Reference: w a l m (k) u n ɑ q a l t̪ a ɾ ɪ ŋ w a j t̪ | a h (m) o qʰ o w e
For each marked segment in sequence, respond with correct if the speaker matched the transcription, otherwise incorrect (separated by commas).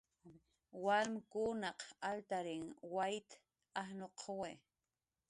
correct, incorrect